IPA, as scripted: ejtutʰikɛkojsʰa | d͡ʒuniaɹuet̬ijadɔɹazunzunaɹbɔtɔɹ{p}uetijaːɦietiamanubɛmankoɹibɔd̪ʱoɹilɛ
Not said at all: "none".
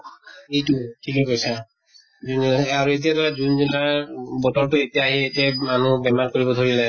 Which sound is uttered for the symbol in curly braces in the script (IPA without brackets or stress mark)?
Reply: t